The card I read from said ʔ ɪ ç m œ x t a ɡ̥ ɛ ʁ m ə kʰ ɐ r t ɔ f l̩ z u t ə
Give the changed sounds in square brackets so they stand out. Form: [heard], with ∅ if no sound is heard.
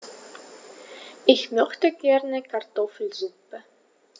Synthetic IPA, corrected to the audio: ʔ ɪ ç m œ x t [ə] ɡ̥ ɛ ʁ [n] ə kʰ [a] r t ɔ f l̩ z u [p] ə